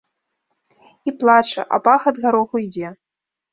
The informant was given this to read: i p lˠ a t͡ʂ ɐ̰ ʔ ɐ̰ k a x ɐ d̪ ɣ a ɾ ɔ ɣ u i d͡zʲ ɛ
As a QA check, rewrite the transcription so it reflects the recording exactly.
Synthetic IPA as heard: i p lˠ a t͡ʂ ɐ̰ ʔ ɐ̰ p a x ɐ d̪ ɣ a ɾ ɔ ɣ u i d͡zʲ ɛ